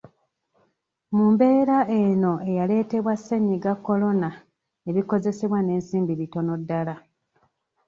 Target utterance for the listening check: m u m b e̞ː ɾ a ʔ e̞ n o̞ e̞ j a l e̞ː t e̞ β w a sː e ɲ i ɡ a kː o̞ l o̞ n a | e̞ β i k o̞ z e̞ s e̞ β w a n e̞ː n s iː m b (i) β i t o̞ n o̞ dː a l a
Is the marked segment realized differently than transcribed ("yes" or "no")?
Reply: no